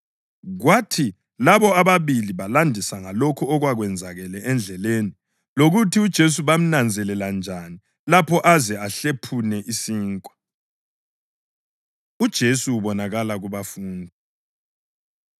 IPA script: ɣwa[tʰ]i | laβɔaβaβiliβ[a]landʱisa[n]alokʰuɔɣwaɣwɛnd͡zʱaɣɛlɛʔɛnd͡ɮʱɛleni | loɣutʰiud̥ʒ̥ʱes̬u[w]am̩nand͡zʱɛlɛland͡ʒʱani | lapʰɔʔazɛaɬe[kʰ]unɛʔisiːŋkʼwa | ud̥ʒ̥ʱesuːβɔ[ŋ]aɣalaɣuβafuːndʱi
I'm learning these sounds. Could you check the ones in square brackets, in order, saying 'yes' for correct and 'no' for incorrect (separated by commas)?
yes, yes, no, no, no, no